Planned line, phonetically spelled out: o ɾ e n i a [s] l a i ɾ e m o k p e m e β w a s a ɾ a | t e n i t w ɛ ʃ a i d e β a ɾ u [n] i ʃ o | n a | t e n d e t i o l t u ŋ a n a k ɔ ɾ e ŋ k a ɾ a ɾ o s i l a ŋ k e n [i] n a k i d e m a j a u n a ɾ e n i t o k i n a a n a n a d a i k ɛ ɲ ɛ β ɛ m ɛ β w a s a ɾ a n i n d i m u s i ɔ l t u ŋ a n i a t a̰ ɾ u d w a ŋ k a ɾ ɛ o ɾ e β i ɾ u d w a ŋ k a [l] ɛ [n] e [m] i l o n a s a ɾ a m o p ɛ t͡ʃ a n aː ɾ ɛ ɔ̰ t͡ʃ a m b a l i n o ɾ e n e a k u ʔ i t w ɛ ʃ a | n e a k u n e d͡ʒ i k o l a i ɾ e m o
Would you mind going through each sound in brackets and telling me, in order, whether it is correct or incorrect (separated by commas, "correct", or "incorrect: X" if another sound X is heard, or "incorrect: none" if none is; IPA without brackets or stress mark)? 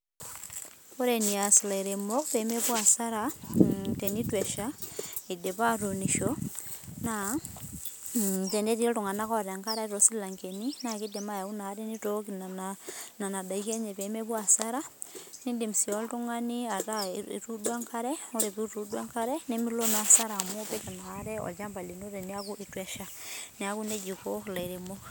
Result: correct, correct, correct, incorrect: ɾ, correct, correct